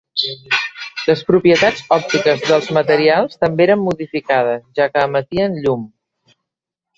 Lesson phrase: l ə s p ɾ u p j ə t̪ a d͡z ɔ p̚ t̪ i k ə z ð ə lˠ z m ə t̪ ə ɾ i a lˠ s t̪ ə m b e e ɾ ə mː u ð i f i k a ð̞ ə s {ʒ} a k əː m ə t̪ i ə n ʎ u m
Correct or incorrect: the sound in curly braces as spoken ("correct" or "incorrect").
correct